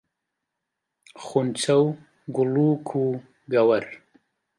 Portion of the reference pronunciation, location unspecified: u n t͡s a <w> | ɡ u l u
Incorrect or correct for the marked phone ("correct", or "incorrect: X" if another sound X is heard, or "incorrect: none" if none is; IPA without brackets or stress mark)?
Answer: correct